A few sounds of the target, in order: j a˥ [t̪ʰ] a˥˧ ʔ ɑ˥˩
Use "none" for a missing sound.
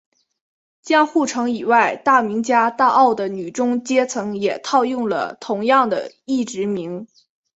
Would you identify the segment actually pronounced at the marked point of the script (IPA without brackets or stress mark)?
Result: t̪